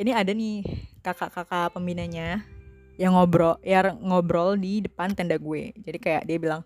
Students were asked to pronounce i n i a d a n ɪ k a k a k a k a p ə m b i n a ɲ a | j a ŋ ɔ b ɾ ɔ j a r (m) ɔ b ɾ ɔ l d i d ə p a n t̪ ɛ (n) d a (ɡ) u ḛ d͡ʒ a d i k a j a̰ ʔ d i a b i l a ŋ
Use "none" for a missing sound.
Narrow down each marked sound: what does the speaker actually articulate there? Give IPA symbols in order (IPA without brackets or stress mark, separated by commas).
ŋ, n, ɡ